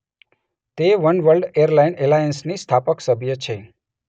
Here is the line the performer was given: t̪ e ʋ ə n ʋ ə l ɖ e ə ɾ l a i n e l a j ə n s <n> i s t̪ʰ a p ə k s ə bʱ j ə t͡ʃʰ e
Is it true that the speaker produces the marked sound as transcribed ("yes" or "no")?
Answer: yes